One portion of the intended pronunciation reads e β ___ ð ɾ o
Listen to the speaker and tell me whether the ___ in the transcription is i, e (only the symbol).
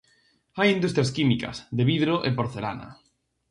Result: i